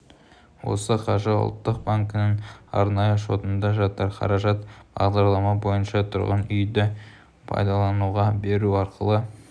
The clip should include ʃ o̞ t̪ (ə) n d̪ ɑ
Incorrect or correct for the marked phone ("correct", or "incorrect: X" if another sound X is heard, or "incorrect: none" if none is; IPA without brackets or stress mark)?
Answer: correct